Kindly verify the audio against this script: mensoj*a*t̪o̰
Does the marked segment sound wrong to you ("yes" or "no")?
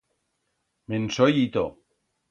yes